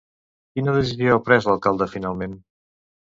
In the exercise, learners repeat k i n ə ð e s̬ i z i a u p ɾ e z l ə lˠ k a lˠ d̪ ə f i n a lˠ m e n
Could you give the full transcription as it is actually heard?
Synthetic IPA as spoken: k i n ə ð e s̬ i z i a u p ɾ ɛ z l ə lˠ k a lˠ d̪ ə f i n a lˠ m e n

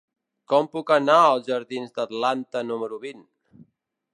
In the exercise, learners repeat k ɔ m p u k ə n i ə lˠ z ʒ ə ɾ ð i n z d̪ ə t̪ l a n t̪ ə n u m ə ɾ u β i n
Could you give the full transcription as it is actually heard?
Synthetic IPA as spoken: k ɔ m p u k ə n a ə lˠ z ʒ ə ɾ ð i n z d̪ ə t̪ l a n t̪ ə n u m ə ɾ u β i n

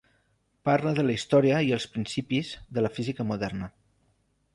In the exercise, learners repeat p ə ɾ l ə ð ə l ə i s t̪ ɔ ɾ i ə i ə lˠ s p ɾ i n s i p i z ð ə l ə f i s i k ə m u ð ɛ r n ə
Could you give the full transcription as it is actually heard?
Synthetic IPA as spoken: p a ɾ l ə ð ə l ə i s t̪ ɔ ɾ i ə i ə lˠ s p ɾ i n s i p i z ð ə l ə f i z i k ə m u ð ɛ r n ə

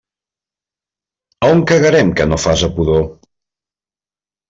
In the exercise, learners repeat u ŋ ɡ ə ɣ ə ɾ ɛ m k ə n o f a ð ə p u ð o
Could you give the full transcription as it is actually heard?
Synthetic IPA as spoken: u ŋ k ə ɣ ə ɾ ɛ m k ə n o f a z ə p u ð o

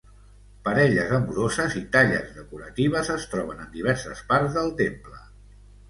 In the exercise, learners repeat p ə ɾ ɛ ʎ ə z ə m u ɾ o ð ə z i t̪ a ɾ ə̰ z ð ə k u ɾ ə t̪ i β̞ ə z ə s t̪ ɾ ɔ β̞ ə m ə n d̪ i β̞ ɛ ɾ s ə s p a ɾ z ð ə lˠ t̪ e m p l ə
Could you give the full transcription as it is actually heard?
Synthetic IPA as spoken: p ə ɾ ɛ ʎ ə z ə m u ɾ o z ə z i t̪ a ʎ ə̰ z ð ə k u ɾ ə t̪ i β̞ ə z ə s t̪ ɾ ɔ β̞ ə n ə n d̪ i β̞ ɛ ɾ s ə s p a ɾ z ð ə lˠ t̪ e m p l ə

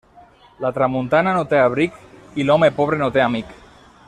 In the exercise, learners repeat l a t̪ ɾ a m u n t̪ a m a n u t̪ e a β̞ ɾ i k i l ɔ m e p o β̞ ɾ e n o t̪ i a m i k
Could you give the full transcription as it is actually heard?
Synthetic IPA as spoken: l a t̪ ɾ a m u n t̪ a n a n o t̪ e a β̞ ɾ i k i l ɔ m e p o β̞ ɾ e n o t̪ e a m i k

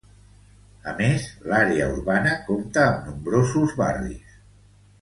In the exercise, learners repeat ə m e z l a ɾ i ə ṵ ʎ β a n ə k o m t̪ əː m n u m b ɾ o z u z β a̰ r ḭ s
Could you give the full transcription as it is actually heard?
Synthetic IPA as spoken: ə m e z l a ɾ e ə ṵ ɾ β a n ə k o m t̪ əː m n u m b ɾ o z u z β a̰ r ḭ s

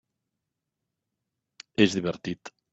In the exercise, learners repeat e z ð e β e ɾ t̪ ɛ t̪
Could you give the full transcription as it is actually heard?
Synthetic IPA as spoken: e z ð i β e ɾ t̪ i t̪

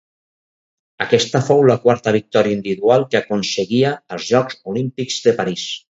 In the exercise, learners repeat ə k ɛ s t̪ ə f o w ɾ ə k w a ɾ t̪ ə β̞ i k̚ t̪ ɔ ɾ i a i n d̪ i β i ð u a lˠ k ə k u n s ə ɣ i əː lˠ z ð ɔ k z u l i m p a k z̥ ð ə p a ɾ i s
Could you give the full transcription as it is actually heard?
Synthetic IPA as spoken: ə k ɛ s t̪ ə f o w l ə k w a ɾ t̪ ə β̞ i k̚ t̪ ɔ ɾ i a i n d̪ i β i ð u a lˠ k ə k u n s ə ɣ i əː lˠ z ʒ ɔ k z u l i m p i k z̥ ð ə p a ɾ i s

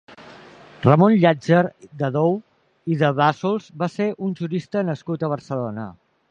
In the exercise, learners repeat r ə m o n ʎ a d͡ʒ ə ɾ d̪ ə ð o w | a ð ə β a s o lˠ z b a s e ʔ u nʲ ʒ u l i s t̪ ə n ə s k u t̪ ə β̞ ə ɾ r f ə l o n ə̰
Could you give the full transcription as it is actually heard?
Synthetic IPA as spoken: r ə m o n ʎ a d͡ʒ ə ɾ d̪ ə ð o w | i ð ə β a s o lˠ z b a s e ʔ u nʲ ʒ u ɾ i s t̪ ə n ə s k u t̪ ə β̞ ə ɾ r s ə l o n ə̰

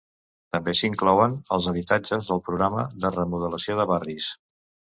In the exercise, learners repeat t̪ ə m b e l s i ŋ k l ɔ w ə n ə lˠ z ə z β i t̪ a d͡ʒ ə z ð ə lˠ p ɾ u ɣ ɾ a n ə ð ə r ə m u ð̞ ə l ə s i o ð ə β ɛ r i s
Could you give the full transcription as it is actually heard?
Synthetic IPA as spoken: t̪ ə m b e s i ŋ k l ɔ w ə n ə lˠ z ə β i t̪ a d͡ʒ ə z ð ə lˠ p ɾ u ɣ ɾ a m ə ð ə r ə m u ð̞ ə l ə s i o ð ə β a r i s

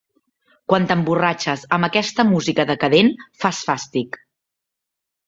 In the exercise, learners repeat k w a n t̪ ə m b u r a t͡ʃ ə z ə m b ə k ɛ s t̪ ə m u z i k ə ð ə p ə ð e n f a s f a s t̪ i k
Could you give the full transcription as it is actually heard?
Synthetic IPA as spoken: k w a n t̪ ə m b u r a t͡ʃ ə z ə m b ə k ɛ s t̪ ə m u z i k ə ð ə k ə ð e n f a s f a s t̪ i k

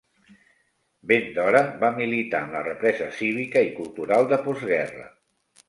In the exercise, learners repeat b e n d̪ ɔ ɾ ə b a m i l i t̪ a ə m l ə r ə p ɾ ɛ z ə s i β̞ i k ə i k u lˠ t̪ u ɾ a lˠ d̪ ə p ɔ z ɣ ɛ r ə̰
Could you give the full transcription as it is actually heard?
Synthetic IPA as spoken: b e n d̪ ɔ ɾ ə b a m i l i t̪ a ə m l ə r ə p ɾ ɛ z ə s i β̞ i k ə i k u lˠ t̪ u ɾ a lˠ d̪ ə p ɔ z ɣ ɛ r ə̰

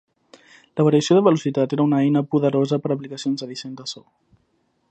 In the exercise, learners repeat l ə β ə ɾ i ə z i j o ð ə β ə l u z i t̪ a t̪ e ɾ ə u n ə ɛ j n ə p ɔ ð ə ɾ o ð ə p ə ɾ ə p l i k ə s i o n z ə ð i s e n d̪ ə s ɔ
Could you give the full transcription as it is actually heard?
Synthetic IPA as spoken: l ə β ə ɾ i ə s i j o ð ə β ə l u s i t̪ a t̪ e ɾ ə u n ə ɛ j n ə p u ð ə ɾ o z ə p ə ɾ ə p l i k ə s i o n z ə ð i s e n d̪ ə s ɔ

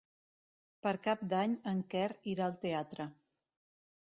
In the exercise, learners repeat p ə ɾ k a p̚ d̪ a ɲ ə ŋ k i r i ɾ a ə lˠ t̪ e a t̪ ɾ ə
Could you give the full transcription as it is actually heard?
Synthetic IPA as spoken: p ə ɾ k a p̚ d̪ a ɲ ə ŋ k ɛ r i ɾ a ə lˠ t̪ e a t̪ ɾ ə

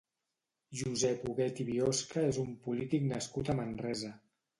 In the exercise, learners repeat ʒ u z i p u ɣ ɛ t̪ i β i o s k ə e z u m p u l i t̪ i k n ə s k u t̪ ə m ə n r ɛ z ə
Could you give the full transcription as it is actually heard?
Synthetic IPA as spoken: ʒ u z ɛ p u ɣ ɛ t̪ i β i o s k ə e z u m p u l i t̪ i k n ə s k u t̪ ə m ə n r ɛ z ə

